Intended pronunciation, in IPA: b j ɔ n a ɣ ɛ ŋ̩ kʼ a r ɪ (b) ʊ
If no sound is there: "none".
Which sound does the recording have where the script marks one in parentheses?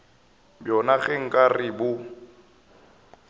b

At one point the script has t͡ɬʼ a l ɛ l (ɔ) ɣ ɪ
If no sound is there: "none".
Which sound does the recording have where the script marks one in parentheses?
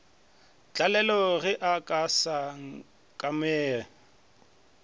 ɔ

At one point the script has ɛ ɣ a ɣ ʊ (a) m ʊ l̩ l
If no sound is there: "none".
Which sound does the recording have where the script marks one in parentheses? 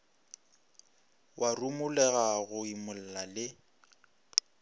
i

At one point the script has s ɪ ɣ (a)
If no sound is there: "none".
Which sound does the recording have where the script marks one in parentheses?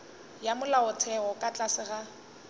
a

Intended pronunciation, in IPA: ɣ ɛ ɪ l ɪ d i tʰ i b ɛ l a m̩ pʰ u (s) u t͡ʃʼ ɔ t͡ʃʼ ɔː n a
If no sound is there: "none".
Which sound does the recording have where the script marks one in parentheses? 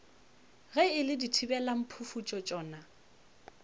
f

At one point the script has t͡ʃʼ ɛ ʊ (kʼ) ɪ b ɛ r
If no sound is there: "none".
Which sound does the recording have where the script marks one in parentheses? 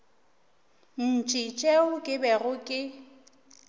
kʼ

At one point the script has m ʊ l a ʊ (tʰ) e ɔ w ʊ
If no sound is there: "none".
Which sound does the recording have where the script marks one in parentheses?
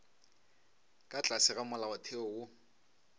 tʰ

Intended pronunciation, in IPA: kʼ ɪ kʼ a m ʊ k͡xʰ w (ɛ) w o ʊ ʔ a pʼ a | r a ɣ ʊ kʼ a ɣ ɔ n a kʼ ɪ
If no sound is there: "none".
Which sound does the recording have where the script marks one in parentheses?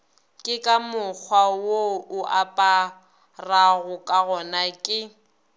a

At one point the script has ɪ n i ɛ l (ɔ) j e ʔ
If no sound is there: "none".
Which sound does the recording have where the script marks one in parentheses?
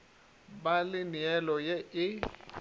ɔ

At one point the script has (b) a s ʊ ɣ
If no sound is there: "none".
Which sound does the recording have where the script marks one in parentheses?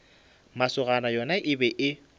m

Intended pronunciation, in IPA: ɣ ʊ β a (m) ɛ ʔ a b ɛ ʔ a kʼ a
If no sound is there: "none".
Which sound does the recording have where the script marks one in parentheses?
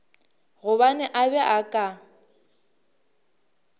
n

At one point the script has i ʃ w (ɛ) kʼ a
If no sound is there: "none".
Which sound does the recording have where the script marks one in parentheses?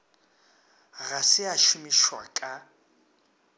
a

